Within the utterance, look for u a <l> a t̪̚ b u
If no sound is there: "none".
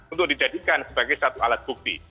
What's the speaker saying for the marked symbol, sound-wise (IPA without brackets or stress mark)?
l